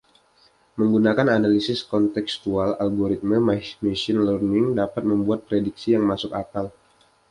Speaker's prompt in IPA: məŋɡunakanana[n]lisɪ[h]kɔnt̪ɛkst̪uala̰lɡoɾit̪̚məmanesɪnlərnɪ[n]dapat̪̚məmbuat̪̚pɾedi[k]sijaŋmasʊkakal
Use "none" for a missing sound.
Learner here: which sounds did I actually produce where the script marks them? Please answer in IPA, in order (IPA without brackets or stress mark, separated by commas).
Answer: none, s, ŋ, k